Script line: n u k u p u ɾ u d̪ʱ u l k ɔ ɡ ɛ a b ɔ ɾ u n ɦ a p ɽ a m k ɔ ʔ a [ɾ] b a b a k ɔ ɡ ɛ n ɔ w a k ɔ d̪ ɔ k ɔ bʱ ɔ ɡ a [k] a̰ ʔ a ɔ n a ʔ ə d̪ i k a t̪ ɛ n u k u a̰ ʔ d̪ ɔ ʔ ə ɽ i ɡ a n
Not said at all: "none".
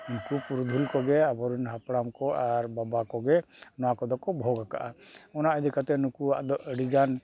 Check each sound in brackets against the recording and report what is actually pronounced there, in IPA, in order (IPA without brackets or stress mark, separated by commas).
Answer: ɾ, k